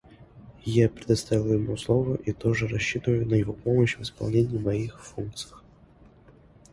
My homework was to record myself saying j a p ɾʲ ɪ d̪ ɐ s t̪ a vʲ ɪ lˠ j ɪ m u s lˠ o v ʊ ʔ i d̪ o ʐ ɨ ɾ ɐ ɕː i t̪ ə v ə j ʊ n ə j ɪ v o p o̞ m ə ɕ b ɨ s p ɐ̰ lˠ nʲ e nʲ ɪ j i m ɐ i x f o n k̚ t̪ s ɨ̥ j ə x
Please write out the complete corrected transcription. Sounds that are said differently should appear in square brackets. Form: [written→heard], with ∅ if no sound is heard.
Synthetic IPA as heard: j a p ɾʲ ɪ d̪ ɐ s t̪ a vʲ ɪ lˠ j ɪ m u s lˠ o v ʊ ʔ i [d̪→t̪] o ʐ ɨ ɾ ɐ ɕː i t̪ ə v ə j ʊ n ə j ɪ v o p o̞ m ə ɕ [b→v] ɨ s p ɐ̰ lˠ nʲ e nʲ ɪ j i m ɐ i x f [o→u] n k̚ t̪ s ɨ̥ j ə x